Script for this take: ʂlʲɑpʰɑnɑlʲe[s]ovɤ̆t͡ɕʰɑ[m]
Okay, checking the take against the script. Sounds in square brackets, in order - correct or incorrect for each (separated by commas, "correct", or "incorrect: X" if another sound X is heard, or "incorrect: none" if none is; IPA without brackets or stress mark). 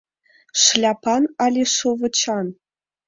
incorrect: ʂ, incorrect: n